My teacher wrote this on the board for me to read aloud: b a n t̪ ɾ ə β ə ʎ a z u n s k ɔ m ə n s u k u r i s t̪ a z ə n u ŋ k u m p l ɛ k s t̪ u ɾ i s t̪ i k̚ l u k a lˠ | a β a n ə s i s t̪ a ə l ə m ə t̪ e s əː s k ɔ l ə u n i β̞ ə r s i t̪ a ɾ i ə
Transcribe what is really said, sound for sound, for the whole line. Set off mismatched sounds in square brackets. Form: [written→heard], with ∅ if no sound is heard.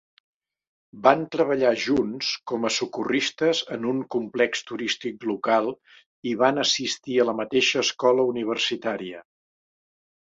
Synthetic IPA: b a n t̪ ɾ ə β ə ʎ a [z→ʒ] u n s k ɔ m ə [n→∅] s u k u r i s t̪ [a→ə] z ə n u ŋ k u m p l ɛ k s t̪ u ɾ i s t̪ i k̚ l u k a lˠ | [a→i] β a n ə s i s t̪ [a→i] ə l ə m ə t̪ e [s→ʃ] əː s k ɔ l ə u n i β̞ ə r s i t̪ a ɾ i ə

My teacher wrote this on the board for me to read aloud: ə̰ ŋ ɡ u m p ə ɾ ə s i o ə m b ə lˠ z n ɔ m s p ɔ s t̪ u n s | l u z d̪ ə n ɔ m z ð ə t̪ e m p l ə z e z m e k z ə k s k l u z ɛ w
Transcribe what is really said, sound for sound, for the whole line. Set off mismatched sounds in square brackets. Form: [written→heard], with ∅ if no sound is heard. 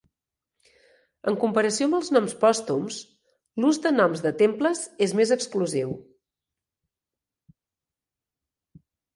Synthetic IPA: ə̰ ŋ [ɡ→k] u m p ə ɾ ə s i o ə m b ə lˠ z n ɔ m s p ɔ s t̪ u [n→m] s | l u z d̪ ə n ɔ m z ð ə t̪ e m p l ə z e z m e [k→∅] z ə k s k l u z [ɛ→i] w

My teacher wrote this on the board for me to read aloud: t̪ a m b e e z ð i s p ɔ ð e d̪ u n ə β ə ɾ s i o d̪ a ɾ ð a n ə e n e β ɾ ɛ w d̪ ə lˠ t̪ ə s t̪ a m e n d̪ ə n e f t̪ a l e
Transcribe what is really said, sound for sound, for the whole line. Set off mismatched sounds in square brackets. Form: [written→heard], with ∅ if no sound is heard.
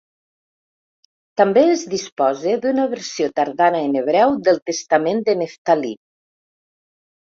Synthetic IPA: t̪ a m b e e z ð i s p ɔ [ð→z] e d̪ u n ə β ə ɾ s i o [d̪→t̪] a ɾ ð a n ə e n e β ɾ ɛ w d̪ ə lˠ t̪ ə s t̪ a m e n d̪ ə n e f t̪ a l [e→i]

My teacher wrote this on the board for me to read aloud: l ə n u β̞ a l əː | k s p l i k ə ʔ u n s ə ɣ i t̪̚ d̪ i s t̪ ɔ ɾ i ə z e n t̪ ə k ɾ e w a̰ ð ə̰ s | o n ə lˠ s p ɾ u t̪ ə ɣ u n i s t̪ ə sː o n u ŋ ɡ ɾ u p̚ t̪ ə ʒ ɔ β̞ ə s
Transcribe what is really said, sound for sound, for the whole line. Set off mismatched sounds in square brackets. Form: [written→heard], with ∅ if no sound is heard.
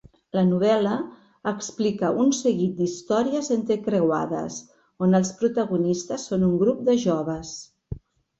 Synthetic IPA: l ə n u β̞ [a→ɛ] l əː | k s p l i k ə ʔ u n s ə ɣ i t̪̚ d̪ i s t̪ ɔ ɾ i ə z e n t̪ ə k ɾ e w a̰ ð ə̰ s | o n ə lˠ s p ɾ u t̪ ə ɣ u n i s t̪ ə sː o n u ŋ ɡ ɾ u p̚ [t̪→d̪] ə ʒ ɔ β̞ ə s

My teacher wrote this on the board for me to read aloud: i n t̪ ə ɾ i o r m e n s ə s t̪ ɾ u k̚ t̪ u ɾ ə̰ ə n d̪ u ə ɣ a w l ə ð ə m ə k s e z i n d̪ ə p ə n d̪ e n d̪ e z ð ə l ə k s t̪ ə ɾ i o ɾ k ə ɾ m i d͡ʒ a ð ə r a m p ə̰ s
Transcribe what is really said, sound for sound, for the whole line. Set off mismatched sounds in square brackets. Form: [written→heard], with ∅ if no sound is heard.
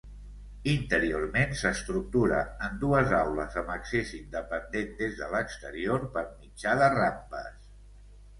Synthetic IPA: i n t̪ ə ɾ i o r m e n s ə s t̪ ɾ u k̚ t̪ u ɾ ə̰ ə n d̪ u ə [ɣ→z] a w l ə [ð→z] ə m ə k s e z i n d̪ ə p ə n d̪ e n d̪ e z ð ə l ə k s t̪ ə ɾ i o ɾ [k→p] ə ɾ m i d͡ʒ a ð ə r a m p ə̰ s

